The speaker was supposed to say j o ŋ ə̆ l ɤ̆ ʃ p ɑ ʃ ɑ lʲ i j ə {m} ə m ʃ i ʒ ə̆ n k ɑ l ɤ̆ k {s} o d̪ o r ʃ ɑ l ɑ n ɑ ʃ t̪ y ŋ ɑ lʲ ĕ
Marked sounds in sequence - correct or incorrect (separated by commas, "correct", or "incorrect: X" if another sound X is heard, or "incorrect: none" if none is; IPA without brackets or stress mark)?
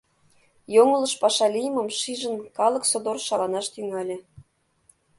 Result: correct, correct